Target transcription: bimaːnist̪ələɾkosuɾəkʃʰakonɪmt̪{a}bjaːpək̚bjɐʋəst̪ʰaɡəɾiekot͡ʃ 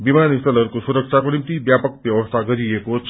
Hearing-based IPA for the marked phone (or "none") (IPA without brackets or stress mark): i